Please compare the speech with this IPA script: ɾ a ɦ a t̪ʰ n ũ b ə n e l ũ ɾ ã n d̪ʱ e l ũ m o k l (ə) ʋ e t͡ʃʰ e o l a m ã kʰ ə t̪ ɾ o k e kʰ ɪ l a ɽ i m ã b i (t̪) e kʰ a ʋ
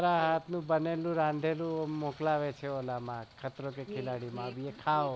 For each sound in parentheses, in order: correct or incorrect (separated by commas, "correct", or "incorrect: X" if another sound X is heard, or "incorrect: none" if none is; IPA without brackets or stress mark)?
incorrect: a, incorrect: none